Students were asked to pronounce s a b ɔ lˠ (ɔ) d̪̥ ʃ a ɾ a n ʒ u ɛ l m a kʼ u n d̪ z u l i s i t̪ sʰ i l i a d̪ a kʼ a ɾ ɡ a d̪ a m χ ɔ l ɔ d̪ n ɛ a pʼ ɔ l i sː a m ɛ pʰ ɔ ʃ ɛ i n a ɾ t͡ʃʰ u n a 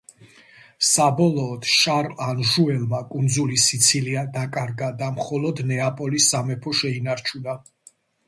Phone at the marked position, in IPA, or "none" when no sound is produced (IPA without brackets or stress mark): ɔː